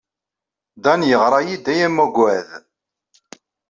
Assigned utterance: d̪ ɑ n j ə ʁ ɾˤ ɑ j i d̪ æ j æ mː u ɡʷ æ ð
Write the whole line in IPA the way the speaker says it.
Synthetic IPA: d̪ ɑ n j ə ʁ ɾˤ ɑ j i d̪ æ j æ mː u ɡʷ æ ð